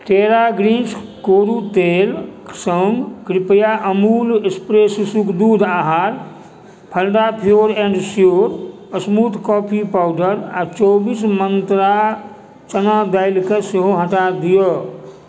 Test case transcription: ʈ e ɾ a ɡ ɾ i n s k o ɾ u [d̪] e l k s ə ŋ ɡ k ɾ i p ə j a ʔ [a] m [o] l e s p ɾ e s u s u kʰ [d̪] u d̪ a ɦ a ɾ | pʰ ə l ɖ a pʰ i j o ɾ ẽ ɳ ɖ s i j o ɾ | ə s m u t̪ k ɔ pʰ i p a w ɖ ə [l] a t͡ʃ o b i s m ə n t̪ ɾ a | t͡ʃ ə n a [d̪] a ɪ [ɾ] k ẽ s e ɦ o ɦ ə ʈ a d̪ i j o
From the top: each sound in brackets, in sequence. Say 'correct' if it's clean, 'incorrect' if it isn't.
incorrect: t̪, incorrect: ə, incorrect: u, correct, incorrect: ɾ, correct, incorrect: l

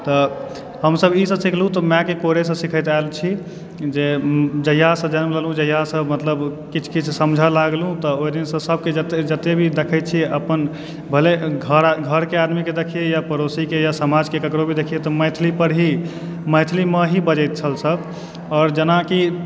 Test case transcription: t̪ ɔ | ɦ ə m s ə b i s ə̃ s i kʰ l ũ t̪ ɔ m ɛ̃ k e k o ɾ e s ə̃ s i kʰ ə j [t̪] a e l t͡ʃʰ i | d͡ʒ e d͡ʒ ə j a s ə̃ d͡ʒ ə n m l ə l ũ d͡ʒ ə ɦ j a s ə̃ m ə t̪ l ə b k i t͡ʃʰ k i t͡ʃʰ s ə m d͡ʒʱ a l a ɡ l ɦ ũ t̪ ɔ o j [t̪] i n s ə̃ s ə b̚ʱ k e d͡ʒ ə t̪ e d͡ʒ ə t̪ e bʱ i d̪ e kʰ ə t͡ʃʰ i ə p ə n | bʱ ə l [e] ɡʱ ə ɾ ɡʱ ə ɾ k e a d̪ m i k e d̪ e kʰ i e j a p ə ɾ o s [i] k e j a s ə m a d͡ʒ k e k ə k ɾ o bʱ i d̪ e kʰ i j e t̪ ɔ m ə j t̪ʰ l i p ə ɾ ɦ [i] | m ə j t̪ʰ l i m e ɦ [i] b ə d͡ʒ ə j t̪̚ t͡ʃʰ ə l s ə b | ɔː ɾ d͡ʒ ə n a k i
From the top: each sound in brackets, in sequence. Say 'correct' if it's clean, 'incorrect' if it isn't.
correct, incorrect: d̪, correct, correct, correct, correct

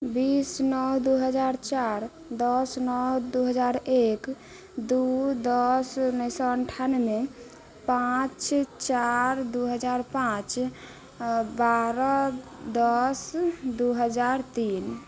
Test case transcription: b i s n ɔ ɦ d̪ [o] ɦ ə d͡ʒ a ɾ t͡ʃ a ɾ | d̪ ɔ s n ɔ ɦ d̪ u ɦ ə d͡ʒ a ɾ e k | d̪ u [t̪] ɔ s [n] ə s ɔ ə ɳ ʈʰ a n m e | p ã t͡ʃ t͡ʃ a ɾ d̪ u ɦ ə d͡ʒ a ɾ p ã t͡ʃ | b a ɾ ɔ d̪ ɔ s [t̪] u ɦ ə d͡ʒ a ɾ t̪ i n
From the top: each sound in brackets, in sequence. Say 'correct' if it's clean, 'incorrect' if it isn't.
incorrect: u, incorrect: d̪, correct, incorrect: d̪

